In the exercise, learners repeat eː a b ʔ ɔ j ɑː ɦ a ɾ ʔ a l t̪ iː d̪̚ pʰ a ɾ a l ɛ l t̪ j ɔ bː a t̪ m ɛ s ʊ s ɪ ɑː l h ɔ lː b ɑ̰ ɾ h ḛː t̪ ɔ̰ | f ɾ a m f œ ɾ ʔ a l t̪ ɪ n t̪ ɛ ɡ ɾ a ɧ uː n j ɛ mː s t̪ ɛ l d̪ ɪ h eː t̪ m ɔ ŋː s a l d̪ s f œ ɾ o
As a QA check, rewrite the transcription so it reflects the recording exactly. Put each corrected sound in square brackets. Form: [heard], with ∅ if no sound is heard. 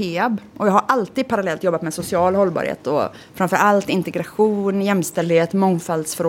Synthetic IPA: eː a b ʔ ɔ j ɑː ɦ a ɾ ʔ a l t̪ iː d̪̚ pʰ a ɾ a l ɛ l t̪ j ɔ bː a t̪ m ɛ s ʊ s ɪ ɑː l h ɔ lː b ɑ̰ ɾ h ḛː t̪ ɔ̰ | f ɾ a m f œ ɾ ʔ a l t̪ ɪ n t̪ ɛ ɡ ɾ a ɧ uː n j ɛ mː s t̪ ɛ l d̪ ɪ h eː t̪ m ɔ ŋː [f] a l d̪ s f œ ɾ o